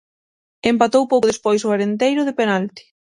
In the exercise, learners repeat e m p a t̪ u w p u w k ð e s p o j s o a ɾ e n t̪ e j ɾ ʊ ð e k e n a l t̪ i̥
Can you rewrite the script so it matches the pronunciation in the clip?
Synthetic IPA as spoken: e m p a t̪ o w p o w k ð e s p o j s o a ɾ e n t̪ e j ɾ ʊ ð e p e n a l t̪ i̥